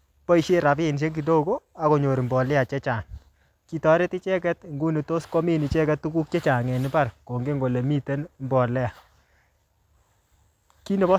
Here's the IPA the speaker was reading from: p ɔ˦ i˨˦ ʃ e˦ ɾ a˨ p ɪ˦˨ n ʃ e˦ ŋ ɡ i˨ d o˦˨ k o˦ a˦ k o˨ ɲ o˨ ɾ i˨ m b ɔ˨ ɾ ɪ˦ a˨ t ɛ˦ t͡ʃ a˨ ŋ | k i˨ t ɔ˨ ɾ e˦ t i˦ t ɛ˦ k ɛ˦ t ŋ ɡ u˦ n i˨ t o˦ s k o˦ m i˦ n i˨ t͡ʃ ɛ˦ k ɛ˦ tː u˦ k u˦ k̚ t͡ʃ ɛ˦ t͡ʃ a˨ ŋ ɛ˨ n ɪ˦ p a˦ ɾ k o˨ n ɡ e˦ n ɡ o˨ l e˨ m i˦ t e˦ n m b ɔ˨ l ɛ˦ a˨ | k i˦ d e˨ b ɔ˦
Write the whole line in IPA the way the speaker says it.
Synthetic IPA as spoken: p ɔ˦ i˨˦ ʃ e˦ ɾ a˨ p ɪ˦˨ n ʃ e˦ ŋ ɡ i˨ d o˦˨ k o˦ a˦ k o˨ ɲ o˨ ɾ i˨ m b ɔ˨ l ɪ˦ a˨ t͡ʃ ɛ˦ t͡ʃ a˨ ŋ | k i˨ t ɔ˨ ɾ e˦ t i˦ t͡ʃ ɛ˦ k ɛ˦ t ŋ ɡ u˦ n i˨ t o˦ s k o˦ m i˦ n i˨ t͡ʃ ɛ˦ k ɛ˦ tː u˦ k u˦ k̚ t͡ʃ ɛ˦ t͡ʃ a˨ ŋ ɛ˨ n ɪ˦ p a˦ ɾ k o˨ ŋ ɡ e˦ ŋ ɡ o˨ l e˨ m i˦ t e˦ n m b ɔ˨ l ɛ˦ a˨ | k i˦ n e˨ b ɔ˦